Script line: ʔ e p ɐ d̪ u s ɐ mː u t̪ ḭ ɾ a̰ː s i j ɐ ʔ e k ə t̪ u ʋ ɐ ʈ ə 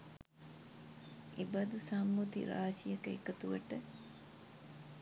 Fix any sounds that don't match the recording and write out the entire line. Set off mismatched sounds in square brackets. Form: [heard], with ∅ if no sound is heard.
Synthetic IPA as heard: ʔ e [b] ɐ d̪ u s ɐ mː u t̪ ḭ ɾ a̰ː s i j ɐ [k] e k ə t̪ u ʋ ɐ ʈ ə